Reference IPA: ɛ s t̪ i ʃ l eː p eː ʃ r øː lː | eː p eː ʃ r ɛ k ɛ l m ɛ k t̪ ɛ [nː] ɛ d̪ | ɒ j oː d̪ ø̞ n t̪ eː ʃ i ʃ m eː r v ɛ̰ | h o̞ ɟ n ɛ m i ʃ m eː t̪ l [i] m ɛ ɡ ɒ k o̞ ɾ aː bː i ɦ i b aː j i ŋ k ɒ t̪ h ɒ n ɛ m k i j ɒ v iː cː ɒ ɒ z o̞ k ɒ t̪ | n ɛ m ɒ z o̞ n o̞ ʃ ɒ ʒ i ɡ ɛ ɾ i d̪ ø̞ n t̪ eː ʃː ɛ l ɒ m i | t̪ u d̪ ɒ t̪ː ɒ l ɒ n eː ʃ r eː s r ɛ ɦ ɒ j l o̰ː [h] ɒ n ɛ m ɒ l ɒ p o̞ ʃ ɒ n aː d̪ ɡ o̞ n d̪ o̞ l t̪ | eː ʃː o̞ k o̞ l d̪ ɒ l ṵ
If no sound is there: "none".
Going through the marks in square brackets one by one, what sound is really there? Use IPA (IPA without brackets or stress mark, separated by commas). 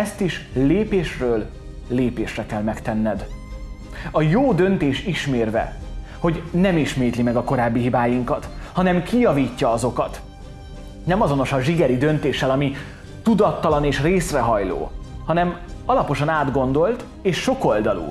nː, i, h